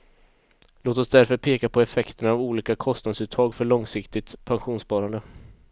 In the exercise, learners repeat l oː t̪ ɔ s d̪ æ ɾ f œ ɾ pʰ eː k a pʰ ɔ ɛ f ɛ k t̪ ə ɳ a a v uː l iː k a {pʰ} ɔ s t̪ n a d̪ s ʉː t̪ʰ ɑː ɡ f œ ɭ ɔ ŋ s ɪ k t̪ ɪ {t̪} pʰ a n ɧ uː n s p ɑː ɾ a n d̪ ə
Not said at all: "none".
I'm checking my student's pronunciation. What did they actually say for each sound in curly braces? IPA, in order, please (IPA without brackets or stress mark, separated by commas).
kʰ, t̪